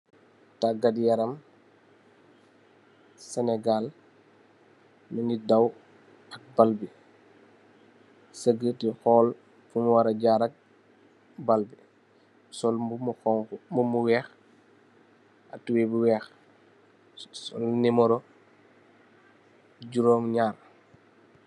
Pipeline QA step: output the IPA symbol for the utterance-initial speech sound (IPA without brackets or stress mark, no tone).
t